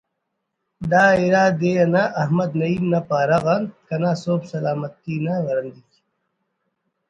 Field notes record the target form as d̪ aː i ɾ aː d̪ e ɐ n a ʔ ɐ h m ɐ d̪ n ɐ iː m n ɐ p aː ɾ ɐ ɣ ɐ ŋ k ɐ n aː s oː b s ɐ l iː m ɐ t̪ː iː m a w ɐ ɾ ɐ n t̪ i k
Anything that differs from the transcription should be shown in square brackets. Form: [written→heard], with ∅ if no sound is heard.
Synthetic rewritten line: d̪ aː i ɾ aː d̪ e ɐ n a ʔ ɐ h m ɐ d̪ n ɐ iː m n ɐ p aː ɾ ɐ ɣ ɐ [ŋ→n] k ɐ n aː s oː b s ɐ l [iː→aː] m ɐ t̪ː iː [m→n] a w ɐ ɾ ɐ n [t̪→d̪] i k

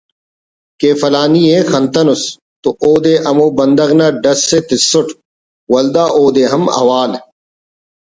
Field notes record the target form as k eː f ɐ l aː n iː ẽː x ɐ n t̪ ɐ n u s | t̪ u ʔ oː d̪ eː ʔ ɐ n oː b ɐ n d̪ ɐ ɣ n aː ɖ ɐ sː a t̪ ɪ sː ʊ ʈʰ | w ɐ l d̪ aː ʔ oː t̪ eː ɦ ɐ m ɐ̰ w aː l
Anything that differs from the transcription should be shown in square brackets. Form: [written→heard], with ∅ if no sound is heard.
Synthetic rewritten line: k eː f ɐ l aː n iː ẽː x ɐ n t̪ ɐ n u s | t̪ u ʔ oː d̪ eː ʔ ɐ [n→m] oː b ɐ n d̪ ɐ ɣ n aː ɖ ɐ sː [a→e] t̪ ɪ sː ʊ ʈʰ | w ɐ l d̪ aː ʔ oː [t̪→d̪] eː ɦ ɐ m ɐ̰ w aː l

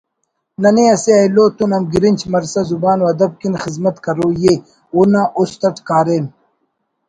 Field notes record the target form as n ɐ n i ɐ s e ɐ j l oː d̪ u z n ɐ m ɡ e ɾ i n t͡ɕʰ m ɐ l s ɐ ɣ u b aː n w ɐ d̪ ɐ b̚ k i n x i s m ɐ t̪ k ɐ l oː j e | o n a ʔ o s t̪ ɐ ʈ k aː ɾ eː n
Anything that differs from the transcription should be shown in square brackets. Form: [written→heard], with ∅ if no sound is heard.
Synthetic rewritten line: n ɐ n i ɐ s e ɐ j l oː [d̪→t̪] u [z→∅] n ɐ m ɡ [e→i] ɾ i n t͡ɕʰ m ɐ [l→ɾ] s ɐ [ɣ→z] u b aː n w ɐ d̪ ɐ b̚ k i n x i [s→z] m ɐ t̪ k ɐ [l→ɾ] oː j e | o n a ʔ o s t̪ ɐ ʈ k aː ɾ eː n

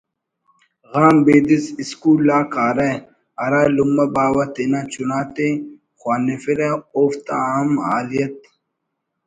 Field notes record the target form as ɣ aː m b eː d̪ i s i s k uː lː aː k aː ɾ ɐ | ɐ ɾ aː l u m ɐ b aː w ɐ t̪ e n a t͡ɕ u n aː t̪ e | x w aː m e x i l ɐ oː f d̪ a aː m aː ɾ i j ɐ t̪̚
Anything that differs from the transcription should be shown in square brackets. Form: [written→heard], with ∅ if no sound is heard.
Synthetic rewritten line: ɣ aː m b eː d̪ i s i s k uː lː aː k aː ɾ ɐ | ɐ ɾ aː l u m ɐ b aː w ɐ t̪ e n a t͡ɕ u n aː t̪ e | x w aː [m→n] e [x→f] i [l→ɾ] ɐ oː f [d̪→t̪] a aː m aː [ɾ→l] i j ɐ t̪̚

